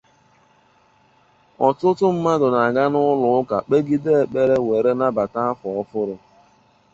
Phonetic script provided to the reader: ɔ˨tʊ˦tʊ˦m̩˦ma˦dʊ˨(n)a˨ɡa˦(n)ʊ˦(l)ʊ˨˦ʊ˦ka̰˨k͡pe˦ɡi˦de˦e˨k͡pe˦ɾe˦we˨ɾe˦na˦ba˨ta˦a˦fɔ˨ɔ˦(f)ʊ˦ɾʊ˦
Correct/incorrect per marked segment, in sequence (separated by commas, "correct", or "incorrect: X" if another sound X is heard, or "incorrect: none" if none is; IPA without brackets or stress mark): correct, correct, correct, correct